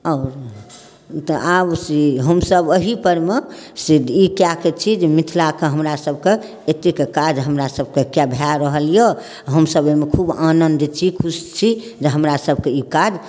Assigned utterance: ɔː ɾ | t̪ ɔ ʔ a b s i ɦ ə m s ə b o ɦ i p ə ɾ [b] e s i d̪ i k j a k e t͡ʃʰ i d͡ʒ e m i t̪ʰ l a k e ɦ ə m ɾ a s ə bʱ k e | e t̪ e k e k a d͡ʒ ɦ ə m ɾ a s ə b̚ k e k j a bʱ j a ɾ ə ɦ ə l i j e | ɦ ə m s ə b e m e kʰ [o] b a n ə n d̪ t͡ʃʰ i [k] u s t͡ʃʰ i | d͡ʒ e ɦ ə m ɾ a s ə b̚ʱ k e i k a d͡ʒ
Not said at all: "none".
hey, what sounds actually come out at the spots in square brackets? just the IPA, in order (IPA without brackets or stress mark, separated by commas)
m, u, kʰ